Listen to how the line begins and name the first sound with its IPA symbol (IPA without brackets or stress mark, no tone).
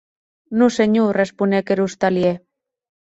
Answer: n